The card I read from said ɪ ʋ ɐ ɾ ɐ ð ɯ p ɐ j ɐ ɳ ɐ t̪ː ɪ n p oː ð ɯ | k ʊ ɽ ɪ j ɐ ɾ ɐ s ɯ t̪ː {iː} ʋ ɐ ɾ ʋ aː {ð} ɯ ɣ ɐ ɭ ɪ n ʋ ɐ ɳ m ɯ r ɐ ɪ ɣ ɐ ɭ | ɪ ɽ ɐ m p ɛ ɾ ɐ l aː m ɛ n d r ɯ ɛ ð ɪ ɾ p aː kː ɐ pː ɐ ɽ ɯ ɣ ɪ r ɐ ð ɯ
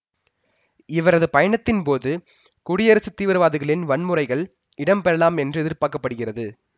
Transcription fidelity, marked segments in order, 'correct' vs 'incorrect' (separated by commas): correct, correct